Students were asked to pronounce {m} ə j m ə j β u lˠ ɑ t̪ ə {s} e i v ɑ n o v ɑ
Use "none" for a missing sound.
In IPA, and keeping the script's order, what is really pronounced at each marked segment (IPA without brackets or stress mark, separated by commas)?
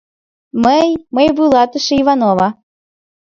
m, ʃ